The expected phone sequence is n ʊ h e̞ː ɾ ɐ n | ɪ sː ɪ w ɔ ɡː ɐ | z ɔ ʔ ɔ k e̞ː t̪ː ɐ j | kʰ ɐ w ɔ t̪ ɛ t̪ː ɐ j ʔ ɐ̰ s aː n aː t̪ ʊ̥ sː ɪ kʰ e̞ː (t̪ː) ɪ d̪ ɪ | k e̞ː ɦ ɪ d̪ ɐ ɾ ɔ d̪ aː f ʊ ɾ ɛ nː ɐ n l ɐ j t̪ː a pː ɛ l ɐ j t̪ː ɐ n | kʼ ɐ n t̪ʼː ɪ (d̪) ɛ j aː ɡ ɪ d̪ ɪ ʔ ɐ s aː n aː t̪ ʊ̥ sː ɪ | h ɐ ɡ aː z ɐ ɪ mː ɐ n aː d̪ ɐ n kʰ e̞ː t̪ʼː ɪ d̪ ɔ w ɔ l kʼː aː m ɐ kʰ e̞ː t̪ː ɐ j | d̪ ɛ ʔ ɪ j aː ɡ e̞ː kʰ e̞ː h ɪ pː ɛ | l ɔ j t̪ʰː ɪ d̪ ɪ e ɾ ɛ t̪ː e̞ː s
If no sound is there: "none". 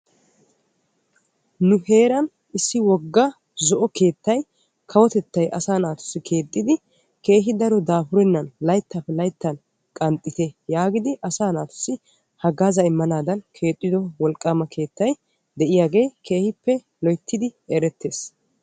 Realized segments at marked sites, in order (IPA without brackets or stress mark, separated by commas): t̪ʼː, t̪